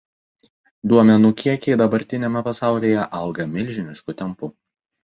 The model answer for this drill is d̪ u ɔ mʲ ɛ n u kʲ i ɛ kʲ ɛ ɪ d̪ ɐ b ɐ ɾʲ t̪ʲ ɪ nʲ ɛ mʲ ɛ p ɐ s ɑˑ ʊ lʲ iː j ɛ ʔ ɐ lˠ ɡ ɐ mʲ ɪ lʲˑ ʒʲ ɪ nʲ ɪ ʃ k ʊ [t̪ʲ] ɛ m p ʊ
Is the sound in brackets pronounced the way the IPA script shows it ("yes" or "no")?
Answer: yes